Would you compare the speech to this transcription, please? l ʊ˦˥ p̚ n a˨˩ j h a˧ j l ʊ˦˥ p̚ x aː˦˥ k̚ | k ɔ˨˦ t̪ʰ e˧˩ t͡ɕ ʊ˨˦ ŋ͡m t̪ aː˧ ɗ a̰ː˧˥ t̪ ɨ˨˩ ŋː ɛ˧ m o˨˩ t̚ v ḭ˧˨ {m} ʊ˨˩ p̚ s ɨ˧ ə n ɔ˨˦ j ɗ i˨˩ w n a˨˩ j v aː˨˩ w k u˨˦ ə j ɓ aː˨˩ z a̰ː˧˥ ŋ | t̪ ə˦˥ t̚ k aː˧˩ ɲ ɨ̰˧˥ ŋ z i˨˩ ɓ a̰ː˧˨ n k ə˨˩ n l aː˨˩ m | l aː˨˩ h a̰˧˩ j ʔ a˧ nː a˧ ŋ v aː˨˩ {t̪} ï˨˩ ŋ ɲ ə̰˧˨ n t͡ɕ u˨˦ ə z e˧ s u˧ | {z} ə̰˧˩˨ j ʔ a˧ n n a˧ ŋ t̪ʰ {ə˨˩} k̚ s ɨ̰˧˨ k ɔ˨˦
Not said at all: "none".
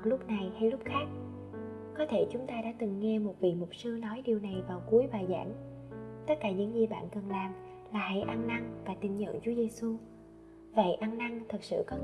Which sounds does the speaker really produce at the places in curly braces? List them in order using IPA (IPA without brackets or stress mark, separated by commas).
m, t̪, v, ə˨˩